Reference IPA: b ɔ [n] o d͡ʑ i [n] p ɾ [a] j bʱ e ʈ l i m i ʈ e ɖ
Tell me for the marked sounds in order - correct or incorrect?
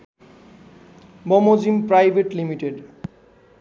incorrect, incorrect, correct

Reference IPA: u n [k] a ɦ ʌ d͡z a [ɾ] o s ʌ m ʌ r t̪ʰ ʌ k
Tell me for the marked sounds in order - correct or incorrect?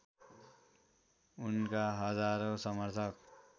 correct, correct

